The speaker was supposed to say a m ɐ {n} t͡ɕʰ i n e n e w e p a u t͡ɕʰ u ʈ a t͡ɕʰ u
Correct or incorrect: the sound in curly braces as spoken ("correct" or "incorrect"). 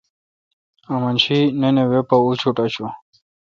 correct